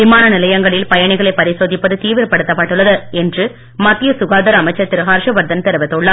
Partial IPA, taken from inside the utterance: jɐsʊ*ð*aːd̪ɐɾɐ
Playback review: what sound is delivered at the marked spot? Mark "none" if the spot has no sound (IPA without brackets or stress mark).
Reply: ɣ